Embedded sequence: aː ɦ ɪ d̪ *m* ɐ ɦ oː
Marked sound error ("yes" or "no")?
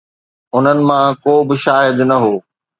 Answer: yes